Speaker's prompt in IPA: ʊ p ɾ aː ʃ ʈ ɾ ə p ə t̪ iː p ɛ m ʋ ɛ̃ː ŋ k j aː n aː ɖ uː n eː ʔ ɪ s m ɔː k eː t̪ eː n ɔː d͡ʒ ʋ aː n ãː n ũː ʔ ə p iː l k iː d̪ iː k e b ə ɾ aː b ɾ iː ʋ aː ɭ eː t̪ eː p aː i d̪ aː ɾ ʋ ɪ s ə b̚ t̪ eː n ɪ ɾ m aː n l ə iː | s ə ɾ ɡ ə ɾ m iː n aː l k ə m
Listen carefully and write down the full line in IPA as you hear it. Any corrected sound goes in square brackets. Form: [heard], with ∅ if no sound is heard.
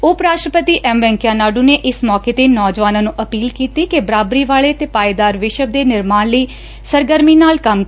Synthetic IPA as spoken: ʊ p ɾ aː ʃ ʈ ɾ ə p ə t̪ iː [ʔ] ɛ m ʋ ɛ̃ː ŋ k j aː n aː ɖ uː n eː ʔ ɪ s m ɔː k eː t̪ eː n ɔː d͡ʒ ʋ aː n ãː n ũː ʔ ə p iː l k iː [t̪] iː k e b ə ɾ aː b ɾ iː ʋ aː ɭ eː t̪ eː p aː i d̪ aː ɾ ʋ ɪ [ʃ] ə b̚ [d̪] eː n ɪ ɾ m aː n l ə iː | s ə ɾ ɡ ə ɾ m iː n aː l k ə m

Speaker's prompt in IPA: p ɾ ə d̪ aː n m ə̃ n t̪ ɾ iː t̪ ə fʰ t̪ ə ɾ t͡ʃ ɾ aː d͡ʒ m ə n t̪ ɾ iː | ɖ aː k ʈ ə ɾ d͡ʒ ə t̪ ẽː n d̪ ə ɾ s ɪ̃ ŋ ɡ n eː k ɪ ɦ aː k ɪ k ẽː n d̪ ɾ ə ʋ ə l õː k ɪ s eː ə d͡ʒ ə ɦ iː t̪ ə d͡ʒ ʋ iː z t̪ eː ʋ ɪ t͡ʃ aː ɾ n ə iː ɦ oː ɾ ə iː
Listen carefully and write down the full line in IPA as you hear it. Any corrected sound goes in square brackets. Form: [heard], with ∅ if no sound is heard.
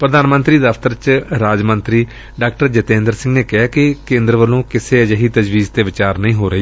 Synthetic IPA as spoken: p ɾ ə d̪ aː n m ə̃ n t̪ ɾ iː [d̪] ə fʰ t̪ ə ɾ t͡ʃ ɾ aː d͡ʒ m ə n t̪ ɾ iː | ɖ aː k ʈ ə ɾ d͡ʒ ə t̪ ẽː n d̪ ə ɾ s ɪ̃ ŋ ɡ n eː k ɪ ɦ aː k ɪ k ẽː n d̪ ɾ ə ʋ ə l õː k ɪ s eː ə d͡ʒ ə ɦ iː t̪ ə d͡ʒ ʋ iː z t̪ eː ʋ ɪ t͡ʃ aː ɾ n ə [ĩː] ɦ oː ɾ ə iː

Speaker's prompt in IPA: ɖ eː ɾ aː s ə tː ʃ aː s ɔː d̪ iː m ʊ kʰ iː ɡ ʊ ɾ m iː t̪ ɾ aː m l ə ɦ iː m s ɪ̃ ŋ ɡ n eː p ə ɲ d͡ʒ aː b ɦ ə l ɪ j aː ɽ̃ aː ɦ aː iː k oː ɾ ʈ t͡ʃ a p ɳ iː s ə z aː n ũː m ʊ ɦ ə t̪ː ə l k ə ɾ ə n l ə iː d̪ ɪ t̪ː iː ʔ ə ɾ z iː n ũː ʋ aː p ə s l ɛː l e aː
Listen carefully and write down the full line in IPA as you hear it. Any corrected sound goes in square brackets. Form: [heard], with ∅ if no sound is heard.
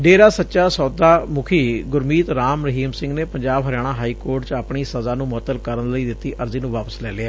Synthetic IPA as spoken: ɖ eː ɾ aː s ə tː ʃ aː s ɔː d̪ [aː] m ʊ kʰ iː ɡ ʊ ɾ m iː t̪ ɾ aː m [ɾ] ə ɦ iː m s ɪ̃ ŋ ɡ n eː p ə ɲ d͡ʒ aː b ɦ ə [ɾ] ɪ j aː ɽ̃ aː ɦ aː iː k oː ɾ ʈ t͡ʃ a p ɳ iː s ə z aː n ũː m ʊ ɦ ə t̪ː ə l k ə ɾ ə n l ə iː d̪ ɪ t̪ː iː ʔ ə ɾ z iː n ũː ʋ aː p ə s l ɛː l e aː

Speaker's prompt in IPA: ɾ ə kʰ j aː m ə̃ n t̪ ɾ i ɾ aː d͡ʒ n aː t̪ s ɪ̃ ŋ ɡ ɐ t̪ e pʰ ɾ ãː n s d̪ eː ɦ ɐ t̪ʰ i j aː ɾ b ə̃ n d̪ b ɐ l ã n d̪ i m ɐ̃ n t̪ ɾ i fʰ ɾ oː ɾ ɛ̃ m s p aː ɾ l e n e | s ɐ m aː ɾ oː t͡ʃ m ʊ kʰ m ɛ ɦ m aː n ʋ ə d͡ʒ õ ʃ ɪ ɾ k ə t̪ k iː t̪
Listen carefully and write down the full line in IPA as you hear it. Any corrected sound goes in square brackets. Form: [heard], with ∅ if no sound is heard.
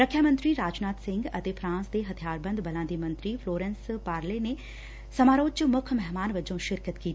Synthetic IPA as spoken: ɾ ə kʰ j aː m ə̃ n t̪ ɾ i ɾ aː d͡ʒ n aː t̪ s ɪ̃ ŋ ɡ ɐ t̪ e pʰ ɾ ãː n s d̪ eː ɦ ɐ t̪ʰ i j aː ɾ b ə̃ n d̪ b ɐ l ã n d̪ i m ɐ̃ n t̪ ɾ i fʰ [l] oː ɾ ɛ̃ [n] s p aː ɾ l e n e | s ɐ m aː ɾ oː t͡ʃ m ʊ kʰ m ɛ ɦ m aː n ʋ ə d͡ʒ õ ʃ ɪ ɾ k ə t̪ k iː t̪

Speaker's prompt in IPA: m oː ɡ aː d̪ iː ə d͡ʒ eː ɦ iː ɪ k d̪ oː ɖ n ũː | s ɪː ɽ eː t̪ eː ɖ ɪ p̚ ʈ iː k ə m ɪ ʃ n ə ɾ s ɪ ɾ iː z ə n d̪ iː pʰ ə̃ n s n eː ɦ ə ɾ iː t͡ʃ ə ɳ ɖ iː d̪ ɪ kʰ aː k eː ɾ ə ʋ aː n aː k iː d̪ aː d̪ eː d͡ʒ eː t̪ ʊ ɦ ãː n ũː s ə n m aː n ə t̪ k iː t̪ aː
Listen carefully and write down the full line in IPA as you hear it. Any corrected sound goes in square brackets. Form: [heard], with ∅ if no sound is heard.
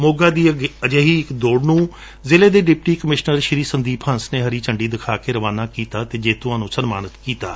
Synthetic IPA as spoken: m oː ɡ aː d̪ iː ə d͡ʒ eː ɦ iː ɪ k d̪ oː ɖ n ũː | [z] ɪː [l] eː [d̪] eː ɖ ɪ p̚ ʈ iː k ə m ɪ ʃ n ə ɾ [ʃ] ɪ ɾ iː [s] ə n d̪ iː pʰ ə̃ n s n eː ɦ ə ɾ iː t͡ʃ ə ɳ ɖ iː d̪ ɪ kʰ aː k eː ɾ ə ʋ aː n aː k iː [t̪] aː [t̪] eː d͡ʒ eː t̪ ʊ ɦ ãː n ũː s ə n m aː n ə t̪ k iː t̪ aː

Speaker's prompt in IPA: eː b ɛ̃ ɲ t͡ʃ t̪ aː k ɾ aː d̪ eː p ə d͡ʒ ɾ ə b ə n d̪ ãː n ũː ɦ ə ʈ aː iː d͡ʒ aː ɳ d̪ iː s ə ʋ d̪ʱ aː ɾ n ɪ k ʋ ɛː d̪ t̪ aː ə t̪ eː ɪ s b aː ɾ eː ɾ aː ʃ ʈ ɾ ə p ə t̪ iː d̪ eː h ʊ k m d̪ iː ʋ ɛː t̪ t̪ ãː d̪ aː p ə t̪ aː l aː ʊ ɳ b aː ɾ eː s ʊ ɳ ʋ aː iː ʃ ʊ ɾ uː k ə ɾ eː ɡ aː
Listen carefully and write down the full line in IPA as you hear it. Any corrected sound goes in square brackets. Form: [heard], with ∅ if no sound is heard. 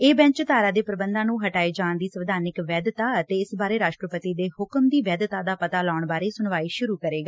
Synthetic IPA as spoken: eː b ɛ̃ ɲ t͡ʃ t̪ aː [∅] ɾ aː d̪ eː p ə [∅] ɾ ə b ə n d̪ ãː n ũː ɦ ə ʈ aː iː d͡ʒ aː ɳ d̪ iː s ə ʋ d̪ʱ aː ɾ n ɪ k ʋ ɛː d̪ t̪ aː ə t̪ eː ɪ s b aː ɾ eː ɾ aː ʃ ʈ ɾ ə p ə t̪ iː d̪ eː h ʊ k m d̪ iː ʋ ɛː [d̪] t̪ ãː d̪ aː p ə t̪ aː l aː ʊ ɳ b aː ɾ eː s ʊ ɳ ʋ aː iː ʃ ʊ ɾ uː k ə ɾ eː ɡ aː

